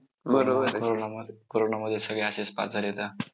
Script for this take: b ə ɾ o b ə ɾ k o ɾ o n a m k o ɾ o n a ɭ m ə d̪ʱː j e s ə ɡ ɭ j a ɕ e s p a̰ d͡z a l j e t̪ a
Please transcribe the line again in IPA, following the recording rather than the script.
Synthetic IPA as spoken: b ə ɾ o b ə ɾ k o ɾ o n a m k o ɾ o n a m ə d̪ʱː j e s ə ɡ ɭ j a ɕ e s p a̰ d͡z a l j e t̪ a